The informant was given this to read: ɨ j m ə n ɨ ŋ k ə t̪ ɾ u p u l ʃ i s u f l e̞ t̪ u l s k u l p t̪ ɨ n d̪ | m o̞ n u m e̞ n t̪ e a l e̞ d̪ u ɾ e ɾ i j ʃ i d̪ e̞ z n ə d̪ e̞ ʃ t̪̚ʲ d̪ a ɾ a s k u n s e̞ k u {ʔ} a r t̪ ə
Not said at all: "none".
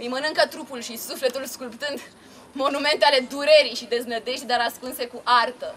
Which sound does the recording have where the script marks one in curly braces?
ʔ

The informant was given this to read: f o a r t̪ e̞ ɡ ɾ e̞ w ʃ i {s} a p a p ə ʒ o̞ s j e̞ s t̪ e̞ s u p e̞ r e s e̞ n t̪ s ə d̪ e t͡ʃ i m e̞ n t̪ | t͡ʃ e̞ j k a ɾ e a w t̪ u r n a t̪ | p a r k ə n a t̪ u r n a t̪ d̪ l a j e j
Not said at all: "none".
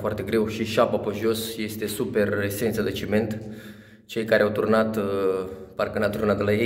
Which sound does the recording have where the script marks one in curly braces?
ʃ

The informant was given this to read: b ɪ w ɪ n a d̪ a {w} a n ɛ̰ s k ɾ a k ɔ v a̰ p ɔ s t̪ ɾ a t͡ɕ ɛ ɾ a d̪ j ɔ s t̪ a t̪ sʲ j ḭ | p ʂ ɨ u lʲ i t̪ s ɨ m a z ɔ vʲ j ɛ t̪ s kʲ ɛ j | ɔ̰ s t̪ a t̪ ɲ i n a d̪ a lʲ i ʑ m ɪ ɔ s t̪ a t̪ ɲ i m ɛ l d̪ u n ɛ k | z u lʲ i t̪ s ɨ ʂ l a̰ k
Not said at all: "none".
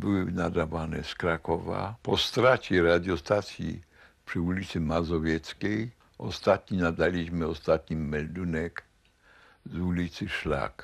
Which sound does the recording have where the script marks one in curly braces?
v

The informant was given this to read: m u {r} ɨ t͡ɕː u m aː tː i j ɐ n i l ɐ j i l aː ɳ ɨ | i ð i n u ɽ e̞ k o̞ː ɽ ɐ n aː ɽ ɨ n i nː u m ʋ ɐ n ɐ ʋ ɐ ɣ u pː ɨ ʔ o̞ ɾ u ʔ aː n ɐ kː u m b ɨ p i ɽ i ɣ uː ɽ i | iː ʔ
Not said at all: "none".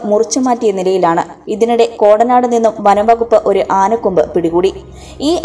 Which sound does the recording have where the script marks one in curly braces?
r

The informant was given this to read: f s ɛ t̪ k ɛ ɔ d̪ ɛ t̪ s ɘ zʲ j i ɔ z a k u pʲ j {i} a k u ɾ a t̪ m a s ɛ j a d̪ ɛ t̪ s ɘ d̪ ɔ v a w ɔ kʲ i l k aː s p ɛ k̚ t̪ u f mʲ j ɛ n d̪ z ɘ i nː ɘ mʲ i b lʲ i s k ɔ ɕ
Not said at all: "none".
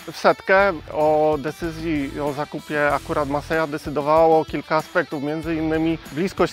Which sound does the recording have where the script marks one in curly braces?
ɛ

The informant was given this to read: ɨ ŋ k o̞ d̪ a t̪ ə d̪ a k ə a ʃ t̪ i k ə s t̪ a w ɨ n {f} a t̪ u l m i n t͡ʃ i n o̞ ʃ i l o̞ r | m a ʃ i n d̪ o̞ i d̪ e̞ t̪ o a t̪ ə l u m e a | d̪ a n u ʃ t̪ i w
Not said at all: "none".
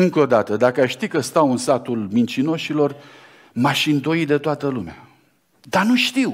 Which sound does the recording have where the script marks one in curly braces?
s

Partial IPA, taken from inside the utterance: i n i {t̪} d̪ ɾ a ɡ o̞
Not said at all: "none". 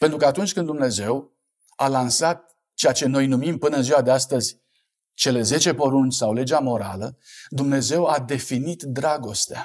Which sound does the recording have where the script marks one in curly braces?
t̪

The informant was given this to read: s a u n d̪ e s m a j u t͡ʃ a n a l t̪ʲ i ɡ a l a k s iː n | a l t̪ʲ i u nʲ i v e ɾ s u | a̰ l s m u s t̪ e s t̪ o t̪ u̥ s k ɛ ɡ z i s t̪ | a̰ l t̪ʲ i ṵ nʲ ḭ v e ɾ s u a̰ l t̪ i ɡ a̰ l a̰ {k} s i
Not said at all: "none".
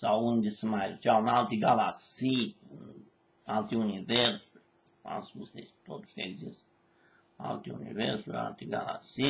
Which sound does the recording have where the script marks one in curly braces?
k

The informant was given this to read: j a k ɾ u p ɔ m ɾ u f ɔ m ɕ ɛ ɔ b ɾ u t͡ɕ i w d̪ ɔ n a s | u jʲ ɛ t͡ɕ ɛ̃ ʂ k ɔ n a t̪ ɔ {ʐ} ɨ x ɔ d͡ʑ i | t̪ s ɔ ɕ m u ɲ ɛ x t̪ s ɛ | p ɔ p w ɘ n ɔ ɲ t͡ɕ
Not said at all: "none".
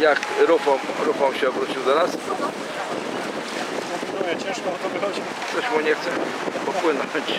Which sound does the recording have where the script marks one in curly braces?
v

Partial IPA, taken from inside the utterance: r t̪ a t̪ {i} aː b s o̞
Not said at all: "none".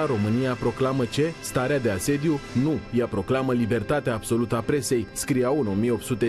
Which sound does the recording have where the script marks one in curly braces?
e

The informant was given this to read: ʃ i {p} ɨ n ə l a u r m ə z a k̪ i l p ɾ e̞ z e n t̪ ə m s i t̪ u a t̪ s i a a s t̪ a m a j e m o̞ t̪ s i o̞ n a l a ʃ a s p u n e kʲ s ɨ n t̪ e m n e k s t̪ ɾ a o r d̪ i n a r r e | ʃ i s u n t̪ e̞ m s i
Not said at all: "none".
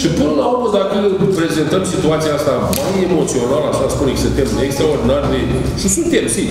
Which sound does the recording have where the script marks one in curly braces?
p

